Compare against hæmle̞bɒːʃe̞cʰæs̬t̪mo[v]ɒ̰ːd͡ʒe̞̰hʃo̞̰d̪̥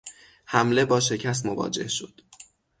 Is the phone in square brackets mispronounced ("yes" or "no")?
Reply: no